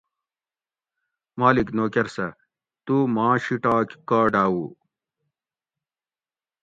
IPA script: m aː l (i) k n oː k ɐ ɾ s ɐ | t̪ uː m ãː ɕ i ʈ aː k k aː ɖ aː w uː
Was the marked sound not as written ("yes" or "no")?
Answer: no